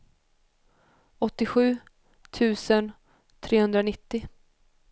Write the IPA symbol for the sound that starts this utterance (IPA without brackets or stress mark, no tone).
ɔ